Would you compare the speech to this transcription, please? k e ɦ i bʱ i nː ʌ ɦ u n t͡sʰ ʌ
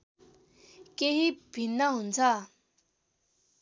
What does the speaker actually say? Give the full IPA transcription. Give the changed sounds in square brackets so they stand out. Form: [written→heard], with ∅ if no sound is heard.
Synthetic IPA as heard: k e ɦ i bʱ i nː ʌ ɦ u n t͡sʰ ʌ